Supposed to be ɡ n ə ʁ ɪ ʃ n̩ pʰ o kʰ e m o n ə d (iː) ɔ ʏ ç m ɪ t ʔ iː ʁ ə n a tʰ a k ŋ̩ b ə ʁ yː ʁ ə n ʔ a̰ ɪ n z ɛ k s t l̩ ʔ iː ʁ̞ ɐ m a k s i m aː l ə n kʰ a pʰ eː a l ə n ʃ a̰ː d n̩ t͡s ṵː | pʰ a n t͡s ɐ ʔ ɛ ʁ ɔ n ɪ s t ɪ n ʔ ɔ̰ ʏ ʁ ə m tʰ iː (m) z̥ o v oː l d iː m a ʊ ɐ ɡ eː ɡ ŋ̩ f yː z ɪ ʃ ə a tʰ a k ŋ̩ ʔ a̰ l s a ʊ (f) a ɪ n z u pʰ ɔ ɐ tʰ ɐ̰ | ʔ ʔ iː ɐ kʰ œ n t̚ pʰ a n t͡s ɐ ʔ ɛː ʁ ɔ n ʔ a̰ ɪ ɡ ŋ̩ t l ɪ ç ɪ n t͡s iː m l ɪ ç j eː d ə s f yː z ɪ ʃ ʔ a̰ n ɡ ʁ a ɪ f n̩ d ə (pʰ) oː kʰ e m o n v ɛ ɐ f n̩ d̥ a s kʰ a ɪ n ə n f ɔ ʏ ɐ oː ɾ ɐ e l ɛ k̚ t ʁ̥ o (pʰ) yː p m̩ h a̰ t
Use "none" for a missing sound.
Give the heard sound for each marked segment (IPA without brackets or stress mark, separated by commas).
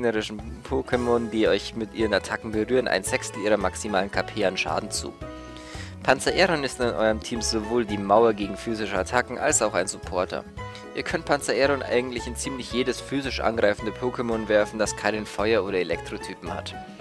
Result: iː, m, x, pʰ, tʰ